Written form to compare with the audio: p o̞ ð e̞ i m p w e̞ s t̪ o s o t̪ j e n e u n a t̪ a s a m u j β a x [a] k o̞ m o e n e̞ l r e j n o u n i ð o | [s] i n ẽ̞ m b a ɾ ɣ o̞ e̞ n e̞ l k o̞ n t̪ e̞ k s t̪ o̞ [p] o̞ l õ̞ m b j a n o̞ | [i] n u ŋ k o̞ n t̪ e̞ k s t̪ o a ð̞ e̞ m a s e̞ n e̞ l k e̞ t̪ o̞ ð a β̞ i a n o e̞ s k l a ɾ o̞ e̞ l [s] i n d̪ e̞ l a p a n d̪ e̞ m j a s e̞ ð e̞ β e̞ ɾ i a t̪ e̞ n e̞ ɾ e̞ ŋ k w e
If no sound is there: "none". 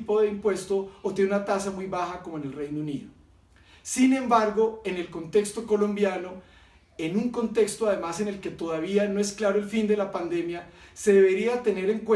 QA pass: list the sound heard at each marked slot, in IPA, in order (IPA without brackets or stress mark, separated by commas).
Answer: a, s, k, e, f